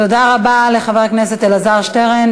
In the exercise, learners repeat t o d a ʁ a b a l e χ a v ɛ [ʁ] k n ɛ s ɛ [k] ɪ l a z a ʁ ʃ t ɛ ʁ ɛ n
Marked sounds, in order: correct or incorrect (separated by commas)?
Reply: correct, incorrect